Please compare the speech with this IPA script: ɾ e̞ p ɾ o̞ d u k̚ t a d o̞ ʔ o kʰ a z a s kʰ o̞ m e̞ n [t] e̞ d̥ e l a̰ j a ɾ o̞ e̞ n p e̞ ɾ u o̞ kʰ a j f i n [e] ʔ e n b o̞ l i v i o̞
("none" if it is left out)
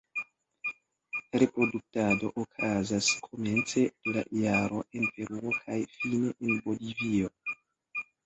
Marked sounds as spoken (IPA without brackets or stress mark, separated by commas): t͡s, e